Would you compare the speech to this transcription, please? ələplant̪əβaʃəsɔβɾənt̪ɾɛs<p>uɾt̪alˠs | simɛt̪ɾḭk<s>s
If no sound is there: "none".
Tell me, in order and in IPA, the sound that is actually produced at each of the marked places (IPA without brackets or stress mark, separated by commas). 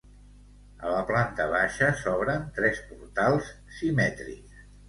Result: p, s